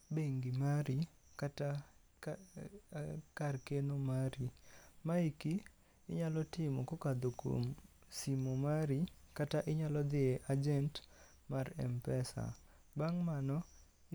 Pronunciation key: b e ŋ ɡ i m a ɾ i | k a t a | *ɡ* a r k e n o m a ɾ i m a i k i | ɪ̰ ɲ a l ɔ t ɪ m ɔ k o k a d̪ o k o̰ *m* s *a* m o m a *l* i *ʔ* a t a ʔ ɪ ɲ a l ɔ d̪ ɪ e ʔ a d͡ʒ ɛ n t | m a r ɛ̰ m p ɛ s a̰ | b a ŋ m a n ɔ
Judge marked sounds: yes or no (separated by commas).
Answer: no, yes, no, no, no